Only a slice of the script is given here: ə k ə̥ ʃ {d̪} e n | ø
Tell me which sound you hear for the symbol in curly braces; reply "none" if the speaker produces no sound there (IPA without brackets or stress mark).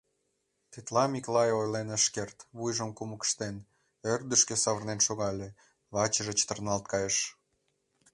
t̪